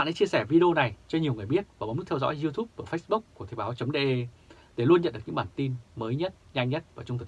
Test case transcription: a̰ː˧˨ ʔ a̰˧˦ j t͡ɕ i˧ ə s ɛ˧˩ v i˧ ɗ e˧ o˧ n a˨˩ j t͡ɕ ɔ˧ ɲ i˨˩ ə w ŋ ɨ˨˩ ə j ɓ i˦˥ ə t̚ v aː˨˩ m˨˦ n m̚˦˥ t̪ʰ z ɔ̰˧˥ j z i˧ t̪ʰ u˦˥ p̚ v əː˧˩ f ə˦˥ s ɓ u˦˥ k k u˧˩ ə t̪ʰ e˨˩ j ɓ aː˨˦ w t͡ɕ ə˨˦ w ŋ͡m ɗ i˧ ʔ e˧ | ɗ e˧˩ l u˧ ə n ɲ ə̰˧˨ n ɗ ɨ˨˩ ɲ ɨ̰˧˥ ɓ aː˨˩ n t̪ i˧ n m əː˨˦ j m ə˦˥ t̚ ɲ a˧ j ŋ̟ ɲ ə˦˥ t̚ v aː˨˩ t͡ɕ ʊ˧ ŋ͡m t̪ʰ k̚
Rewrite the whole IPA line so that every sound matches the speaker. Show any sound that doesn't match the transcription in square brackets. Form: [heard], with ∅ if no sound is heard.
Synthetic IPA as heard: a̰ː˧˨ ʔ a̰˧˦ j t͡ɕ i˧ ə s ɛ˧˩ v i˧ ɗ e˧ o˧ n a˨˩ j t͡ɕ ɔ˧ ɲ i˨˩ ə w ŋ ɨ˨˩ ə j ɓ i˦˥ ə t̚ v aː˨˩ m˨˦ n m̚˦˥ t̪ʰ z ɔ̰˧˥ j z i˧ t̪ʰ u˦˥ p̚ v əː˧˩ f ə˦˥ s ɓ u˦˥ k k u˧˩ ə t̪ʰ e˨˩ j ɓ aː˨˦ w t͡ɕ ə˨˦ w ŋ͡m ɗ [e˧] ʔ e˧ | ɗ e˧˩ l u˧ ə n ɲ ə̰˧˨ n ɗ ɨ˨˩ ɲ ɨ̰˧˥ ɓ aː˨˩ n t̪ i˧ n m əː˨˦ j [ɲ] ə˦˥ t̚ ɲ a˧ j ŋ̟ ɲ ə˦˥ t̚ v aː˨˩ t͡ɕ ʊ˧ ŋ͡m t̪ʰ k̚